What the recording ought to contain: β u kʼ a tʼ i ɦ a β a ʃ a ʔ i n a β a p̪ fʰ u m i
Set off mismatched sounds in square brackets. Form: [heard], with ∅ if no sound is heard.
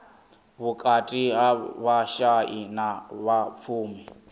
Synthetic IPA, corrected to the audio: β u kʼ a tʼ i ɦ a β a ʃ a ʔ i n a β a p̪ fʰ [uː] m i